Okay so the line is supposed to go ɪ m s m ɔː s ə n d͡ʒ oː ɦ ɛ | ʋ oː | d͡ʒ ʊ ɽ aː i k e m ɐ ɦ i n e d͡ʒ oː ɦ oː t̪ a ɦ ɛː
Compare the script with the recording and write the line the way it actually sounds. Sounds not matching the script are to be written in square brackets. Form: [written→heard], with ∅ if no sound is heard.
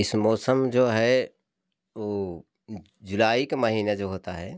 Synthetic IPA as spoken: ɪ [m→∅] s m ɔː s ə [n→m] d͡ʒ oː ɦ ɛ | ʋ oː | d͡ʒ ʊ [ɽ→l] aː i k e m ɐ ɦ [i→iː] n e d͡ʒ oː ɦ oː t̪ a ɦ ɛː